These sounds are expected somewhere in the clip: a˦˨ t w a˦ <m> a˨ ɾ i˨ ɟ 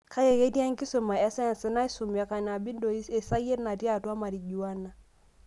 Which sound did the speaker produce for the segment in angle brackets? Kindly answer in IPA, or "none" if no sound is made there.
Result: m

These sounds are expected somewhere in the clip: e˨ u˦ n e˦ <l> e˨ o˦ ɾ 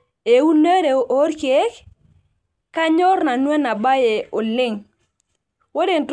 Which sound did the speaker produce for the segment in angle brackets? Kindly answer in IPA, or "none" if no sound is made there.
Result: ɾ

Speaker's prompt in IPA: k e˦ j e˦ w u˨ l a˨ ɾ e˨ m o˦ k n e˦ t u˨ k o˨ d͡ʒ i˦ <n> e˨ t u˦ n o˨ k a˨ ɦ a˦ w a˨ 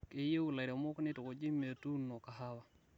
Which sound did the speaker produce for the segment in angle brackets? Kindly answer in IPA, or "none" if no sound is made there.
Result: m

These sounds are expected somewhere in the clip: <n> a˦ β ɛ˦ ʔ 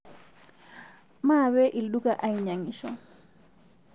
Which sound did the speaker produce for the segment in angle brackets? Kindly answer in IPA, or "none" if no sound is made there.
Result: m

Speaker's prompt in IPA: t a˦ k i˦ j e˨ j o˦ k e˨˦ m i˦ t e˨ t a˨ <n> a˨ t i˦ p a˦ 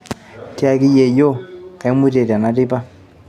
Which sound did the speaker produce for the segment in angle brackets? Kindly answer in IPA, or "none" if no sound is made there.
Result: n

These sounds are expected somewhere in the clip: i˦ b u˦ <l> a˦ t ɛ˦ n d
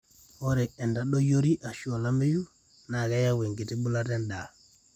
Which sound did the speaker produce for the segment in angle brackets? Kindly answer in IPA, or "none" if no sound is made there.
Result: l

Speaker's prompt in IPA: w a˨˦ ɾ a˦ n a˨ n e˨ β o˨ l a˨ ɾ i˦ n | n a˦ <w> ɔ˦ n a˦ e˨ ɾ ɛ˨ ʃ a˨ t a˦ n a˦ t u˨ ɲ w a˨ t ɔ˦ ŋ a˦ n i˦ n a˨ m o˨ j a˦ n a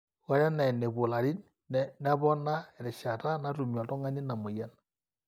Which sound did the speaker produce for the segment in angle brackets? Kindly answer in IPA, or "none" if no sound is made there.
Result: β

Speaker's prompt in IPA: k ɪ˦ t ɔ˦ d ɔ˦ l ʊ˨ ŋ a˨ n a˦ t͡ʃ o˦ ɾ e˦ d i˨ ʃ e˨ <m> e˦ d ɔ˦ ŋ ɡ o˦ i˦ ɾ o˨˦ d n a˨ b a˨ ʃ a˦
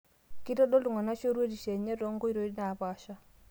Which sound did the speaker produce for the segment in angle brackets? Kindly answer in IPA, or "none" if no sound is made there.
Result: ɲ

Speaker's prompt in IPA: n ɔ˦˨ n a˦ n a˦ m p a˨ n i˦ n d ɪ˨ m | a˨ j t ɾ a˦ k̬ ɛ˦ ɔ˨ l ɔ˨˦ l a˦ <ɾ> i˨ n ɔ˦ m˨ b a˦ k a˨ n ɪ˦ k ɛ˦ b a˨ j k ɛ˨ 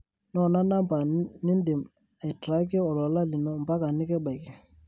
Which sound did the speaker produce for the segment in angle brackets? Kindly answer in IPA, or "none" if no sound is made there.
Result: l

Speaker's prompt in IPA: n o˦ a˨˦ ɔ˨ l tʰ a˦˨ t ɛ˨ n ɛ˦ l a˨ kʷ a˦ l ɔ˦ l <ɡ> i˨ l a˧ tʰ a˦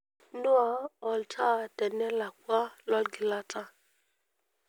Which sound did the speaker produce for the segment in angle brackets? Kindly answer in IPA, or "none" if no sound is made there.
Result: ɡ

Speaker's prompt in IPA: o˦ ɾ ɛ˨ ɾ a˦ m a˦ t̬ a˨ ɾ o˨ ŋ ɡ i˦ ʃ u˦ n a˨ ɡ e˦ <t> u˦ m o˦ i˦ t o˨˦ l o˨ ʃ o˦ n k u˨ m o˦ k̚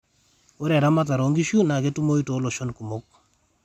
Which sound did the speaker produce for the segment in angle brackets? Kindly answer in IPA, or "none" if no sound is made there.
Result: t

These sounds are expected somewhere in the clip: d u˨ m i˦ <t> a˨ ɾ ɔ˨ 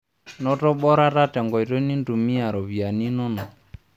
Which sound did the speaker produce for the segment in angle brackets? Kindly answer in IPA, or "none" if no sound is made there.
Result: none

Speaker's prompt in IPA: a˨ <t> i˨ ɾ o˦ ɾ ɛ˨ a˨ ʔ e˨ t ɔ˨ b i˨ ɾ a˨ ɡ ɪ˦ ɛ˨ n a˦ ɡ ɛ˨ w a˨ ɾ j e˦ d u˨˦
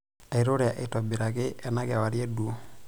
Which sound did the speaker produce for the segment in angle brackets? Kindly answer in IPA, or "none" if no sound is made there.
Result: none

